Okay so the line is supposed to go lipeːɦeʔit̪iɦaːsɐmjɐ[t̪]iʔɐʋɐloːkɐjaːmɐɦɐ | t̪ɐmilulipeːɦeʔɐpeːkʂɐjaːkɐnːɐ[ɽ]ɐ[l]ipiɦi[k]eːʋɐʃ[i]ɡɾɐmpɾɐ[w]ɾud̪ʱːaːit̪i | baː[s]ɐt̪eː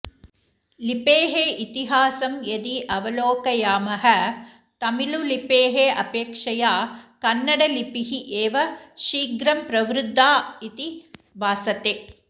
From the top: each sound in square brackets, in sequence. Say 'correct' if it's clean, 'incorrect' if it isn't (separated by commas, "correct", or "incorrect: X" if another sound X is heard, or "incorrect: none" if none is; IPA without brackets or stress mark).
incorrect: d̪, correct, correct, incorrect: ʔ, incorrect: iː, incorrect: ʋ, correct